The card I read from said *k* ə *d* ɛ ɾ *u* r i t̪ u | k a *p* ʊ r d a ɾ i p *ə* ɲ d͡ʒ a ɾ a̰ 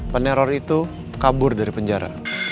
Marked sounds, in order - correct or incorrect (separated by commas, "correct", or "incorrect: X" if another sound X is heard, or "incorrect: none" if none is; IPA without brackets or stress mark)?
incorrect: p, incorrect: n, incorrect: ɔ, incorrect: b, correct